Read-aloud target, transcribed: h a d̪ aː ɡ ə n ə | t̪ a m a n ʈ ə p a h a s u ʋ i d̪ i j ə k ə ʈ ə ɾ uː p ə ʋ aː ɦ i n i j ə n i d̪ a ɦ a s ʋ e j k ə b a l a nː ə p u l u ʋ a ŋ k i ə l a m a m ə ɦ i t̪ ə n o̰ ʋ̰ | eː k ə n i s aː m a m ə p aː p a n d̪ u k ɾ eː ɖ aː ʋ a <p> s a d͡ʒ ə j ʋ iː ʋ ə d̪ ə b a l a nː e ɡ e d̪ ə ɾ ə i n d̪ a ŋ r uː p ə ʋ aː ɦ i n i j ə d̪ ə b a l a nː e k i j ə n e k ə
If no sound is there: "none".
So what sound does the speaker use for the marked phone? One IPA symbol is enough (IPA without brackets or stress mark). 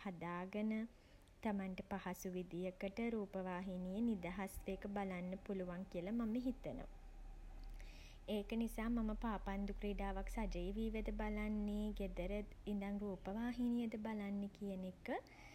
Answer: k